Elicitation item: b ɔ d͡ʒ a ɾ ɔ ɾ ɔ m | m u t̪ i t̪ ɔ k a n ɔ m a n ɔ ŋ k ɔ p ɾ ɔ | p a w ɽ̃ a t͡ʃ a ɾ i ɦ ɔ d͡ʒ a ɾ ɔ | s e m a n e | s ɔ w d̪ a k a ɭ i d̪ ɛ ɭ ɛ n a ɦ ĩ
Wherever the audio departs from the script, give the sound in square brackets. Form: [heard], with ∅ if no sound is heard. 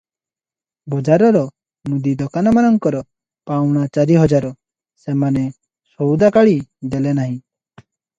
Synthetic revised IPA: b ɔ d͡ʒ a ɾ ɔ ɾ ɔ [∅] | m u [d̪] i [d̪] ɔ k a n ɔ m a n ɔ ŋ k ɔ [∅] ɾ ɔ | p a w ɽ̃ a t͡ʃ a ɾ i ɦ ɔ d͡ʒ a ɾ ɔ | s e m a n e | s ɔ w d̪ a k a ɭ i d̪ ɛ [l] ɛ n a ɦ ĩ